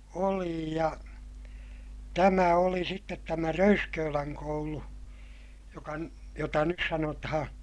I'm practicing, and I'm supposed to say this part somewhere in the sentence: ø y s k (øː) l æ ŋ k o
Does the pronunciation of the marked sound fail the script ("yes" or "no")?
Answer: no